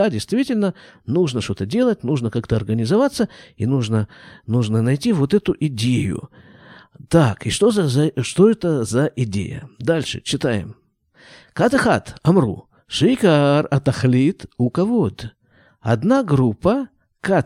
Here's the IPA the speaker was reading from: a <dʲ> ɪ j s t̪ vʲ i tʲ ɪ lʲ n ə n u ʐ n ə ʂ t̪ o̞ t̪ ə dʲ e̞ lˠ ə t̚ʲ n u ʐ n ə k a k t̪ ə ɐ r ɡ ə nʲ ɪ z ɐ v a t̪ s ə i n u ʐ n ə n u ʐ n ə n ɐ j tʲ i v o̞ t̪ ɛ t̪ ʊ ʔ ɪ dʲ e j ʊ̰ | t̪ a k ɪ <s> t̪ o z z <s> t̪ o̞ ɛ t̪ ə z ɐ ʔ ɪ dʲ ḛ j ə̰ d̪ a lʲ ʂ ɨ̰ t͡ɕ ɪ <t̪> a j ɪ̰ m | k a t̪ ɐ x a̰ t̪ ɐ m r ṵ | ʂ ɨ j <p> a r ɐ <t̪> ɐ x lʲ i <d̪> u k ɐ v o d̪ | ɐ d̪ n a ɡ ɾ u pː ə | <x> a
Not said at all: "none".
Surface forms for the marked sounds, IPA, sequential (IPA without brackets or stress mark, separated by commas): dʲ, ʂ, ʂ, t̪, k, t̪, t̪, k